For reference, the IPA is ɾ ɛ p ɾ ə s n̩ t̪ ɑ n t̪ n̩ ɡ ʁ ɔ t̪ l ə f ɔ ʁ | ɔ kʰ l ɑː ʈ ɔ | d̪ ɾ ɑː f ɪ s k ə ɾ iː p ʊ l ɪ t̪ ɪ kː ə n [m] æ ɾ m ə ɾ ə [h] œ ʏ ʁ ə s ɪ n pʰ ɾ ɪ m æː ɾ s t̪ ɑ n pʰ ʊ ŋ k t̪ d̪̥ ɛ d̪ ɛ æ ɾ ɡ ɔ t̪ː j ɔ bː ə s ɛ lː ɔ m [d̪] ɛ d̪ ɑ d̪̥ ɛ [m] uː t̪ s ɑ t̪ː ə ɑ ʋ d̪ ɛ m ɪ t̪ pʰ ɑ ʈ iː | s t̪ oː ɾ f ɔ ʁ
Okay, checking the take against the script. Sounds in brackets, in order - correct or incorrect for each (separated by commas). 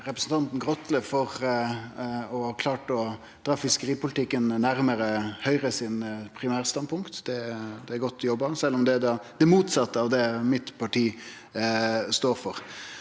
incorrect, correct, correct, correct